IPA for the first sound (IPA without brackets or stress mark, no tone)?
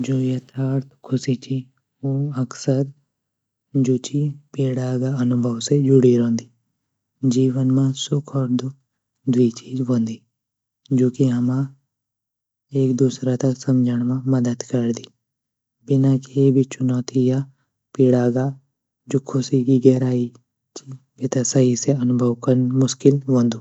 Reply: d͡ʒ